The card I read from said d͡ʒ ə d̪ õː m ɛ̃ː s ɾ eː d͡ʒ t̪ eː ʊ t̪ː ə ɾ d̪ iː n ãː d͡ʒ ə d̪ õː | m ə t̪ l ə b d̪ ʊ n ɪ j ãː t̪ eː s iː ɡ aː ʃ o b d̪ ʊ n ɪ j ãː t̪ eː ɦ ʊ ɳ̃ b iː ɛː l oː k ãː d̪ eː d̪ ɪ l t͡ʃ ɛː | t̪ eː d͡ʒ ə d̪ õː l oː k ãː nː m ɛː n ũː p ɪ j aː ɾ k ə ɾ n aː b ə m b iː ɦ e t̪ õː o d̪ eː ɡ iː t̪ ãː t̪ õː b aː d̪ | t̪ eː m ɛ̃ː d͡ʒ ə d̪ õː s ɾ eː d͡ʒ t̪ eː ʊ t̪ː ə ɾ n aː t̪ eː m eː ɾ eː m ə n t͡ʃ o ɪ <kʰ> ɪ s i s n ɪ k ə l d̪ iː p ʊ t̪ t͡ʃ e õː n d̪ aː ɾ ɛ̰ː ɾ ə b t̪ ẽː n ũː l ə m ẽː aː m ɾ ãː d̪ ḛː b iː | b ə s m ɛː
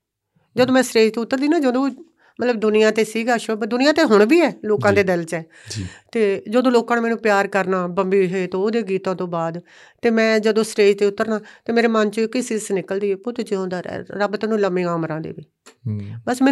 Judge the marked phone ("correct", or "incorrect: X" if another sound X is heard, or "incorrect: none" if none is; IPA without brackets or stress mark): incorrect: k